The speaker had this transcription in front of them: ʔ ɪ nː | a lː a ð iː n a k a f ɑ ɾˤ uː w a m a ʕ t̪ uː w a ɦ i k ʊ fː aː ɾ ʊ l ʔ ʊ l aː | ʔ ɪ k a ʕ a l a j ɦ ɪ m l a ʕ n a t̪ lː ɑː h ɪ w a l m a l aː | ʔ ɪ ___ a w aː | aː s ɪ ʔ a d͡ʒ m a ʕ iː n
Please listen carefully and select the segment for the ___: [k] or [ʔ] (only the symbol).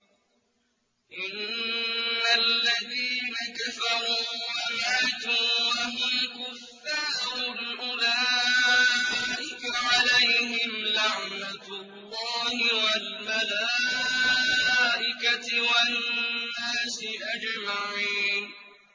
k